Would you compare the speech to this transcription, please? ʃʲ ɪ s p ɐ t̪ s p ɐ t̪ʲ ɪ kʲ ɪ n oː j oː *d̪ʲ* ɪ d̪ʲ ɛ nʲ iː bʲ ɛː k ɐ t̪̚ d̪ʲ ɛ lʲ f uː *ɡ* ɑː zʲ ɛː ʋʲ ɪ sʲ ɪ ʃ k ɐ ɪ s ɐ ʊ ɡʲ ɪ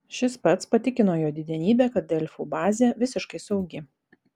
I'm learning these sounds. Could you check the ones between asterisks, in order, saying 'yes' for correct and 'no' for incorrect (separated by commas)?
yes, no